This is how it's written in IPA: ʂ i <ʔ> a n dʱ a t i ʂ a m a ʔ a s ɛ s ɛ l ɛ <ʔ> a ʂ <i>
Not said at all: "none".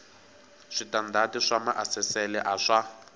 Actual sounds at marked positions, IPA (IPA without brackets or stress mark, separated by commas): t, ʔ, a